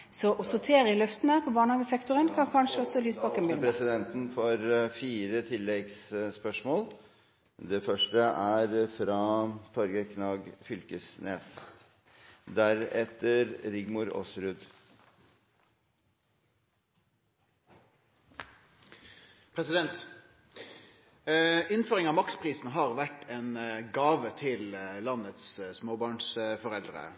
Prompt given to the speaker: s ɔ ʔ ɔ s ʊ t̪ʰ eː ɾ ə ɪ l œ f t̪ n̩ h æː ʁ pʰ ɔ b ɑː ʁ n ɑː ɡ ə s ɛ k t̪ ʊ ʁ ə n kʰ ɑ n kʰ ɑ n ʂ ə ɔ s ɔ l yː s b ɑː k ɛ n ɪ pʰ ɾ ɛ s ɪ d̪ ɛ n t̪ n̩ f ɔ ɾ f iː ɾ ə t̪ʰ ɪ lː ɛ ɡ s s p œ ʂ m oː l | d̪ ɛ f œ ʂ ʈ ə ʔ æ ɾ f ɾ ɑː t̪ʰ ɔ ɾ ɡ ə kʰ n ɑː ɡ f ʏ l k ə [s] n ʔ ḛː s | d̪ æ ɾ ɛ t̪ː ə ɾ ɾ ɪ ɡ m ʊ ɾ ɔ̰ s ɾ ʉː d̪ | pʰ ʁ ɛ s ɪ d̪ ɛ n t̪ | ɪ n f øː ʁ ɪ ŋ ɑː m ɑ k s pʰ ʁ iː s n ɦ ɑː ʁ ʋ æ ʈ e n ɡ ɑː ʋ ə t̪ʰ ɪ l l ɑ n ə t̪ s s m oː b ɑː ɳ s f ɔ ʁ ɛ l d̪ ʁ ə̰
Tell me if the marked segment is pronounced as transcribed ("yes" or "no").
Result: yes